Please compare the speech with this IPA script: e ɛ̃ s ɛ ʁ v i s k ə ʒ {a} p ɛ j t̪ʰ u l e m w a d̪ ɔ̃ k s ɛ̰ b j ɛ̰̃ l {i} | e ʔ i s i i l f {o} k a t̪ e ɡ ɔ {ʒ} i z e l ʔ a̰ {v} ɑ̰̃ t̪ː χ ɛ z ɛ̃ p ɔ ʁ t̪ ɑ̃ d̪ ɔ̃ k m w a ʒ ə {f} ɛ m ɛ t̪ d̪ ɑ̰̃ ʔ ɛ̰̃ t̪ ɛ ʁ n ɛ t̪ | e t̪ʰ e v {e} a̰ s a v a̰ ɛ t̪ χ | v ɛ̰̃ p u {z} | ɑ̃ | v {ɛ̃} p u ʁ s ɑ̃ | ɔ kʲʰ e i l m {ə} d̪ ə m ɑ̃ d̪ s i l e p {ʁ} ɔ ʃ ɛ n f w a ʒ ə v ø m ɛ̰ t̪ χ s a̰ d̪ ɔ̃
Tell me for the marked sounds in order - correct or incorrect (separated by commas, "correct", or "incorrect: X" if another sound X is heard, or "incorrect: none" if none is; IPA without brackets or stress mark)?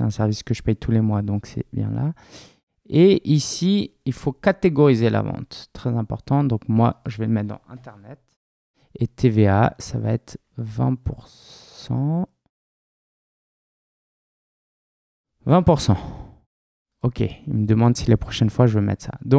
incorrect: ə, incorrect: a, correct, incorrect: ʁ, correct, incorrect: v, correct, incorrect: ʁ, correct, correct, incorrect: χ